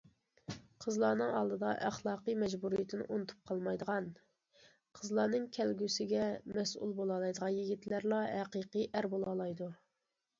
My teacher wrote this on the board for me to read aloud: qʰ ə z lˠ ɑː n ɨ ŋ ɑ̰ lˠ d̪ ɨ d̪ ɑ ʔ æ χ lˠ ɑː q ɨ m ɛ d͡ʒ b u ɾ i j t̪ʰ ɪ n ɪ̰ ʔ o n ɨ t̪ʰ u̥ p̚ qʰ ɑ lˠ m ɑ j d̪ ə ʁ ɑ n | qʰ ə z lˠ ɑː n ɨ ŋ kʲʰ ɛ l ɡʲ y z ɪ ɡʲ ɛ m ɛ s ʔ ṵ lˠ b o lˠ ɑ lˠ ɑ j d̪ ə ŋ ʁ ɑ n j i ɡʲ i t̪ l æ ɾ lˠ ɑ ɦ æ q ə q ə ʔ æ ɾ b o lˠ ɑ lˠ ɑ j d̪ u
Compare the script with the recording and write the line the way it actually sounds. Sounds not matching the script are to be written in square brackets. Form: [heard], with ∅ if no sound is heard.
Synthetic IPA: qʰ ə z lˠ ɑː n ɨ ŋ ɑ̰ lˠ d̪ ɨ d̪ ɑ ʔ æ χ lˠ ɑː q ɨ m ɛ d͡ʒ b u ɾ i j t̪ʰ ɪ n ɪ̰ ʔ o n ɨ t̪ʰ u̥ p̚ qʰ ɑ lˠ m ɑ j d̪ ə ʁ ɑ n | qʰ ə z lˠ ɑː n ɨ ŋ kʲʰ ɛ l ɡʲ y [s] ɪ ɡʲ ɛ m ɛ s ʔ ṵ lˠ b o lˠ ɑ lˠ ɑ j d̪ ə [∅] ʁ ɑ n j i ɡʲ i t̪ l æ ɾ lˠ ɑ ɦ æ q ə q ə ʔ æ ɾ b o lˠ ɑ lˠ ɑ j d̪ u